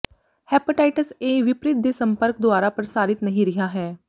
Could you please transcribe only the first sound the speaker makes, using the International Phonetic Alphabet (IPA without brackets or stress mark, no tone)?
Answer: h